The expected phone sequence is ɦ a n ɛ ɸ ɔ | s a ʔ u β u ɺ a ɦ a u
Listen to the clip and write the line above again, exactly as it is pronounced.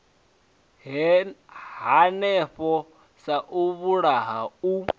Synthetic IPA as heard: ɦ a n ɛ ɸ ɔ | s a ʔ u β u ɺ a ɦ a u